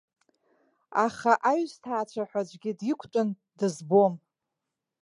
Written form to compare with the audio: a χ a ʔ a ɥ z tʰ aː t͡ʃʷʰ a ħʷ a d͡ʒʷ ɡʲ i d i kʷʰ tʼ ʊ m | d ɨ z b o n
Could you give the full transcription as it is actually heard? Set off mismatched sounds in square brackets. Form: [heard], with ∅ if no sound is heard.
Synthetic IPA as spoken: a χ a ʔ a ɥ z tʰ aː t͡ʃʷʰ a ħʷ a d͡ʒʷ ɡʲ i d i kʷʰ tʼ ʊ [n] | d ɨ z b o [m]